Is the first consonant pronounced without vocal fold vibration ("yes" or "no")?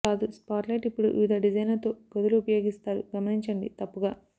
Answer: no